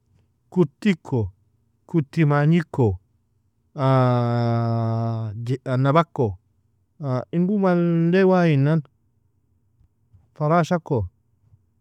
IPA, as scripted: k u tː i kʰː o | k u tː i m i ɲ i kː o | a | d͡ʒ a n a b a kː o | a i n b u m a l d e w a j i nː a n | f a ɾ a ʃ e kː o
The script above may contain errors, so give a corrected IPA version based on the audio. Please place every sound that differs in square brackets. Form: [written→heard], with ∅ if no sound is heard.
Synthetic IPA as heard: k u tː i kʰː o | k u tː i m [i→a] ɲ i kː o | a | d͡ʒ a n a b a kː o | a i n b u m a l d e w a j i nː a n | f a ɾ a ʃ [e→a] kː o

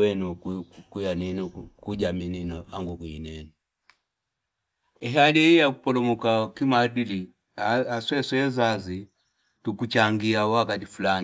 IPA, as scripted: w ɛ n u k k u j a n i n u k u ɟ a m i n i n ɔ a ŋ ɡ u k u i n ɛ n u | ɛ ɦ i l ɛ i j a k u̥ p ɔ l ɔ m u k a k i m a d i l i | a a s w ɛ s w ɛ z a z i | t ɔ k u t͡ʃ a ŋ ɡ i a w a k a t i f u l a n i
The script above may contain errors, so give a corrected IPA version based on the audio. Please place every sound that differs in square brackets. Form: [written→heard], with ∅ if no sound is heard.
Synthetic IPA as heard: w ɛ n u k k u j a n i n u k u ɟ a m i n i n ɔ a ŋ ɡ u k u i n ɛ n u | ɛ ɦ [i→a] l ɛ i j a k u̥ p ɔ l ɔ m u k a k i m a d i l i | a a s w ɛ s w ɛ z a z i | t [ɔ→u] k u t͡ʃ a ŋ ɡ i a w a k a t i f u l a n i

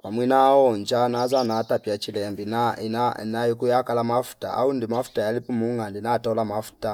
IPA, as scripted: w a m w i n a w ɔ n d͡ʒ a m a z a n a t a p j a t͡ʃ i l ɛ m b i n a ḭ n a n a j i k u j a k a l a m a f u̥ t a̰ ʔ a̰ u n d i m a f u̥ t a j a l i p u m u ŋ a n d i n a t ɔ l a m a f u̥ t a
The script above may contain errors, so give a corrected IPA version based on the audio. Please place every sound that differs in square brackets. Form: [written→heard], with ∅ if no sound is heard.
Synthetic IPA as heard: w a m w i n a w ɔ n d͡ʒ a [m→n] a z a n a t a p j a t͡ʃ i l ɛ m b i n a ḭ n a n a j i k u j a k a l a m a f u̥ t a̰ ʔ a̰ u n d i m a f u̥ t a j a l i p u m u ŋ a n d i n a t ɔ l a m a f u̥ t a

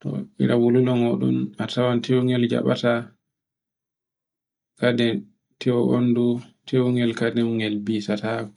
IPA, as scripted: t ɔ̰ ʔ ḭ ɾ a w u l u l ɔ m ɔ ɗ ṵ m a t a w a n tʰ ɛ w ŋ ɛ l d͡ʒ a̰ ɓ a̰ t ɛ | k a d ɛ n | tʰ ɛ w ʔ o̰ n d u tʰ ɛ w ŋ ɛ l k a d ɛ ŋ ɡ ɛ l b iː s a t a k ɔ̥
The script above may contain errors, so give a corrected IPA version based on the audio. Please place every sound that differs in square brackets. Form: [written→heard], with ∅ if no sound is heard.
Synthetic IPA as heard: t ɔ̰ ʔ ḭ ɾ a w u l u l ɔ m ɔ ɗ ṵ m a t a w a n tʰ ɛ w ŋ ɛ l d͡ʒ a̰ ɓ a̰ t [ɛ→a] | k a d ɛ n | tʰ ɛ w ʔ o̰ n d u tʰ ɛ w ŋ ɛ l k a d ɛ ŋ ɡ ɛ l b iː s a t a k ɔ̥

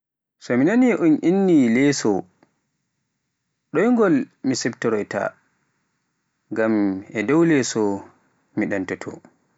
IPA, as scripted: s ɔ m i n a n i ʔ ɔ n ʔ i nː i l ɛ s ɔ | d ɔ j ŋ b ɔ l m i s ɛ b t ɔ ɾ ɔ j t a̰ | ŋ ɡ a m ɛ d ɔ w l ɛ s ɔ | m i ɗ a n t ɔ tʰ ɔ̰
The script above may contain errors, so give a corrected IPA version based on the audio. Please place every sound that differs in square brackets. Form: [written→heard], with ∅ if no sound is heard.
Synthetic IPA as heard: s ɔ m i n a n i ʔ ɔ n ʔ i nː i l ɛ s ɔ | [d→ɗ] ɔ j ŋ [b→ɡ] ɔ l m i s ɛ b t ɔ ɾ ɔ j t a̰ | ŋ ɡ a m ɛ d ɔ w l ɛ s ɔ | m i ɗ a n t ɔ tʰ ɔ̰

